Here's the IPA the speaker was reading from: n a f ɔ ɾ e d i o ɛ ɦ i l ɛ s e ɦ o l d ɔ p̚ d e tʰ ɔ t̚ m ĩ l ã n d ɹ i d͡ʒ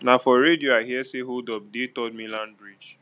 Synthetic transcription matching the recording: n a f ɔ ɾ e d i o a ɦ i ɛ s e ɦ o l d ɔ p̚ d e t ɔ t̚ m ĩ l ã n b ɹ i d͡ʒ